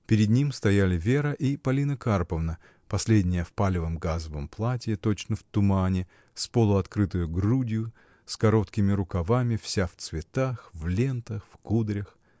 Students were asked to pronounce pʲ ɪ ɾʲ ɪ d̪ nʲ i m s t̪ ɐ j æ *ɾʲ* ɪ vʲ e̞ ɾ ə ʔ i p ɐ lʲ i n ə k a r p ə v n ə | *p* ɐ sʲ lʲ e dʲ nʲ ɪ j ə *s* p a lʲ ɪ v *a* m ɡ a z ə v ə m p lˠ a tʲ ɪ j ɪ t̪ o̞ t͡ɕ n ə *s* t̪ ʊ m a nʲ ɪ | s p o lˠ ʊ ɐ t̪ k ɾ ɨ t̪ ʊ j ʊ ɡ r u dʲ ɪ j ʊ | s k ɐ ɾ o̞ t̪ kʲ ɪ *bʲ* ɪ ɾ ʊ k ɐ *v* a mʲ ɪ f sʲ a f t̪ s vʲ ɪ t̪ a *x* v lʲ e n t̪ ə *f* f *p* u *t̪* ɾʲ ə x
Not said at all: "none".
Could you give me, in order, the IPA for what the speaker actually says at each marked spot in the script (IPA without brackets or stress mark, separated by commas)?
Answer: lʲ, p, f, ə, f, mʲ, v, x, x, k, d̪